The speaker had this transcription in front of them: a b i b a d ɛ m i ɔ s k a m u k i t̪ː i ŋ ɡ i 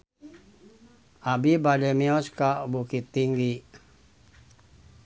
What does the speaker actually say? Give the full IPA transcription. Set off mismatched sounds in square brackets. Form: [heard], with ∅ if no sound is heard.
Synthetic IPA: a b i b a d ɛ m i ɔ s k a [b] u k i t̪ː i ŋ ɡ i